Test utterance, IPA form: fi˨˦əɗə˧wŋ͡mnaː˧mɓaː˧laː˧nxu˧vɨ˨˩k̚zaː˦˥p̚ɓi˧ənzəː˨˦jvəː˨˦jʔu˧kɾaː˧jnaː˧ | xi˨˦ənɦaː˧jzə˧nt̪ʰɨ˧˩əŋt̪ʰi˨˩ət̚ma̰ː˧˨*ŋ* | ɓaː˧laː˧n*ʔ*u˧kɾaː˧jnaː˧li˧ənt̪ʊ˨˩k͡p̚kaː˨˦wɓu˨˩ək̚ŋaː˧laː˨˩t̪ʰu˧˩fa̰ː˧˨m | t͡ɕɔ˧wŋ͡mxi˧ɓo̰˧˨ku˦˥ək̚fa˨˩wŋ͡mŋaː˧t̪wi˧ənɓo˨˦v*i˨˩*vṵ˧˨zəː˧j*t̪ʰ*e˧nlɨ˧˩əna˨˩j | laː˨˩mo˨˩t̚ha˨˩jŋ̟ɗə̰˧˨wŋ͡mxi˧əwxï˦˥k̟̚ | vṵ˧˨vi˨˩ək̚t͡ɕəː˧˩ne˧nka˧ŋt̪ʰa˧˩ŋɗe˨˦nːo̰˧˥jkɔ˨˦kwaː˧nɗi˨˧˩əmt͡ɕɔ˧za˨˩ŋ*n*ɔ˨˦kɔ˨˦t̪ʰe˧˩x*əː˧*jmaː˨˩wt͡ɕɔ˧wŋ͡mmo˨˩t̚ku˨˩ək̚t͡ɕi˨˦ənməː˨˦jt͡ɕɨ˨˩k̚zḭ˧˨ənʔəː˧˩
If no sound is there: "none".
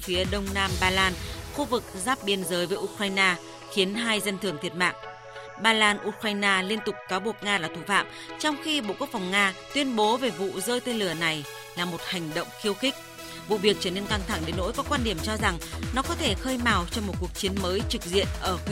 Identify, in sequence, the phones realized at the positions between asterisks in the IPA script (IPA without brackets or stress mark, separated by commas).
ŋ, ʔ, e˨˩, t̪, n, əː˧